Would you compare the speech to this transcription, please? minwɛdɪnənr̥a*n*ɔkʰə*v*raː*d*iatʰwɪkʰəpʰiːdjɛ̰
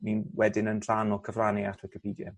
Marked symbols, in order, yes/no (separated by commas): yes, yes, no